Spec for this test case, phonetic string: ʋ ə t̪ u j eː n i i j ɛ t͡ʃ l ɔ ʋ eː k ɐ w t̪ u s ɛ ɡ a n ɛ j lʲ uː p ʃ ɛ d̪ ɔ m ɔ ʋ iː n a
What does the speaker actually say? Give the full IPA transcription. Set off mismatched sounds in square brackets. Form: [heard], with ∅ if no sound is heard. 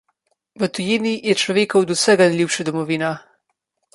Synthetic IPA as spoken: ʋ ə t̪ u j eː n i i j ɛ t͡ʃ l ɔ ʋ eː k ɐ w [d̪] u s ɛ ɡ a n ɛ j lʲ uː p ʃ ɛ d̪ ɔ m ɔ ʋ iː n a